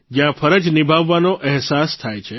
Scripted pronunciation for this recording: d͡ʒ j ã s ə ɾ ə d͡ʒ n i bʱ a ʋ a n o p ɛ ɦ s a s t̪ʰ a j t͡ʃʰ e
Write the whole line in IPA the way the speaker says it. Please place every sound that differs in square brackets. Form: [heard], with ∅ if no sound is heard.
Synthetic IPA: d͡ʒ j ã [f] ə ɾ ə d͡ʒ n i bʱ a [ʋː] a n o [ʔ] ɛ ɦ s a s t̪ʰ a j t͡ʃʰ e